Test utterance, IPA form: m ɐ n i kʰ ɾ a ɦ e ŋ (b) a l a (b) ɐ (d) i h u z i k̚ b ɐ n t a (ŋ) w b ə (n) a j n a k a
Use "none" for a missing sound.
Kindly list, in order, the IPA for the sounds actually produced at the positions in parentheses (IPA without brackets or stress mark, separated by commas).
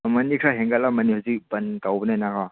ɡ, m, n, none, n